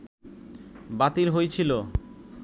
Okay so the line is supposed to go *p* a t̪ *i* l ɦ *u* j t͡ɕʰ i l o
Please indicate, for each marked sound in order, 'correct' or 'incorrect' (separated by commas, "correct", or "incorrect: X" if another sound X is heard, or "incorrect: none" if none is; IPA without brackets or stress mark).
incorrect: b, correct, incorrect: o